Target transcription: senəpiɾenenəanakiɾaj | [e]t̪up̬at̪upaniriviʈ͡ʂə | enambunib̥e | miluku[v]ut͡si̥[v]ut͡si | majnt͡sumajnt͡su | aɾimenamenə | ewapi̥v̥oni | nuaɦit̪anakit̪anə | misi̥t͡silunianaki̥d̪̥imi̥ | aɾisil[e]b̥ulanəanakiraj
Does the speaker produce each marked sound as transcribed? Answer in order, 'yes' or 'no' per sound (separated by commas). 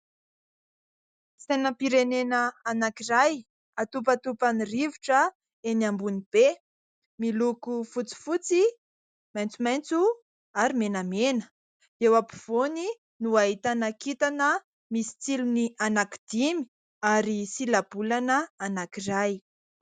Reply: no, no, no, no